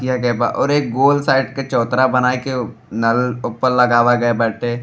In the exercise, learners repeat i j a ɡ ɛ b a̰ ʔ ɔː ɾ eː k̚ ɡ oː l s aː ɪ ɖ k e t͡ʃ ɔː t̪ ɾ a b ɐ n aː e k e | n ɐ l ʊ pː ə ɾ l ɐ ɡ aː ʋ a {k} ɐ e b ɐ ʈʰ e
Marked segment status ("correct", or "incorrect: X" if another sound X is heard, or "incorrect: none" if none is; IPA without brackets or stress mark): incorrect: ɡ